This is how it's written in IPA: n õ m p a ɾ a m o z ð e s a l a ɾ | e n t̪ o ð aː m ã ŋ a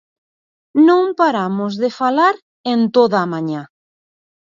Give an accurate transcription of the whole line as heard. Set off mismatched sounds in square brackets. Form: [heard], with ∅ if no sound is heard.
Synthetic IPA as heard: n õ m p a ɾ a m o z ð e [f] a l a ɾ | e n t̪ o ð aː m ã [ɲ] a